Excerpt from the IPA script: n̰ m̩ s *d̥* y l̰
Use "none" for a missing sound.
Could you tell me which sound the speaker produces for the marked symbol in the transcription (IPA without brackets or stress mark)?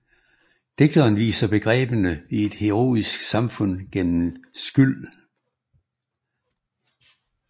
ɡ̥